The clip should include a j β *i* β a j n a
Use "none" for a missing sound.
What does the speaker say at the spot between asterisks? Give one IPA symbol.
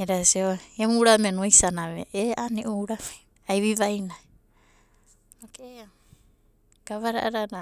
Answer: i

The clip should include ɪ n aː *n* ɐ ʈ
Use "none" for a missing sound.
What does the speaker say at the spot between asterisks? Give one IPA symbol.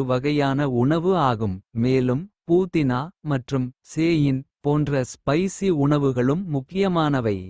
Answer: m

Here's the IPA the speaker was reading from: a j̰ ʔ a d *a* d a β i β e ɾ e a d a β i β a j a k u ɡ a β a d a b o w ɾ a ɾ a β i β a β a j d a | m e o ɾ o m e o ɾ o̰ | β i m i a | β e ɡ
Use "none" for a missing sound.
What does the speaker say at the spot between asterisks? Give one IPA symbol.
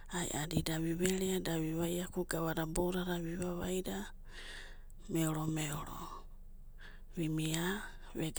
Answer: i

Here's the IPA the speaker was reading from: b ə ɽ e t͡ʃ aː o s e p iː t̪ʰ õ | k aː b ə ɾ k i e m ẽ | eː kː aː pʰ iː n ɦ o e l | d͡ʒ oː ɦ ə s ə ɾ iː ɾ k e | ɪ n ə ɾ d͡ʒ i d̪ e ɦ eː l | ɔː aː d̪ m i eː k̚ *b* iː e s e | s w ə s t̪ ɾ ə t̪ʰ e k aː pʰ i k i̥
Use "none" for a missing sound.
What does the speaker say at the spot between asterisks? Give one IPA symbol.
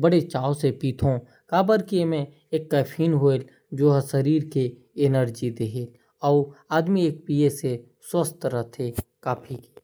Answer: p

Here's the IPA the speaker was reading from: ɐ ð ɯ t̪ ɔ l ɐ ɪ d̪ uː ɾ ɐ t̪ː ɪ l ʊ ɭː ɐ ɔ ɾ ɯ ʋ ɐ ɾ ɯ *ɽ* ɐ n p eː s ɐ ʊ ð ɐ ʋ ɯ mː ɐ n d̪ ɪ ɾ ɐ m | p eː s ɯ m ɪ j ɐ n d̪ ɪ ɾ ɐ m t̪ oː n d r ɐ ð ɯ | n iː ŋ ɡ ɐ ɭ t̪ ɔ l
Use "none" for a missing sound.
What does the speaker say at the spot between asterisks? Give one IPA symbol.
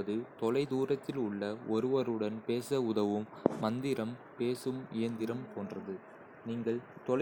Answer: ɽ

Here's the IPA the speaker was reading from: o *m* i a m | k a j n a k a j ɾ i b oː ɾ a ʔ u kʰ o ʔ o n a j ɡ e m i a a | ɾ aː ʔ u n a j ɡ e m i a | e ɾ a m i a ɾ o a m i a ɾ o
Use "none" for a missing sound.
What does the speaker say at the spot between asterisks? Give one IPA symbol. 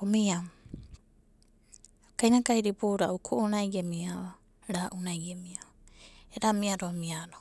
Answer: m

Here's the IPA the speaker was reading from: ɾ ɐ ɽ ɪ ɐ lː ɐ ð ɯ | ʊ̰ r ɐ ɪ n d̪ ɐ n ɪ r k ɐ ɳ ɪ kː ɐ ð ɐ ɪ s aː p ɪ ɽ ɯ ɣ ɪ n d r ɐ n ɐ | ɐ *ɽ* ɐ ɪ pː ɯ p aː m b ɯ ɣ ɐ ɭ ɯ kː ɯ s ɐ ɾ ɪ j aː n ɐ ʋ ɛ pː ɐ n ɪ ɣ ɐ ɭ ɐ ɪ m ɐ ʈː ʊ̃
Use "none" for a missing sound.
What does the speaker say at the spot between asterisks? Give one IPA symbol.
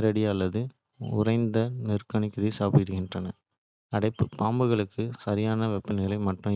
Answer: ɽ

